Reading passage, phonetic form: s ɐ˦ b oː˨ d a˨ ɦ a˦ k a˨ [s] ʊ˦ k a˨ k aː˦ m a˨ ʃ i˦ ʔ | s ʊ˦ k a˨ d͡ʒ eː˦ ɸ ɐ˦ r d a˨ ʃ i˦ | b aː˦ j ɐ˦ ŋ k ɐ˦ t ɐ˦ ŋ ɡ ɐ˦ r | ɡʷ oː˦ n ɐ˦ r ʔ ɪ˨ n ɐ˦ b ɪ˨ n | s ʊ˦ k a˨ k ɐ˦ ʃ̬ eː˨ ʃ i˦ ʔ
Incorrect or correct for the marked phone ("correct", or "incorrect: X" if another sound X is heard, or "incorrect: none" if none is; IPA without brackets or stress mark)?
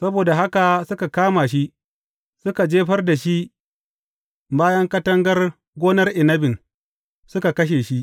correct